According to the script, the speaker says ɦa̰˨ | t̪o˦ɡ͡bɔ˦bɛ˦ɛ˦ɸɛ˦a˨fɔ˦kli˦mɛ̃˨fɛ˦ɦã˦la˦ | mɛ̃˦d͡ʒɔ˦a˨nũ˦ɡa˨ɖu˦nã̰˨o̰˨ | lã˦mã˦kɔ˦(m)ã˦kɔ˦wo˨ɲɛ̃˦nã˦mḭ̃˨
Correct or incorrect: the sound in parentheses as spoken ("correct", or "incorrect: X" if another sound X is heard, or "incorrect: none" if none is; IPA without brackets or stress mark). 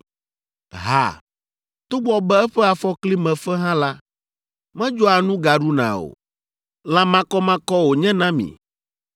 correct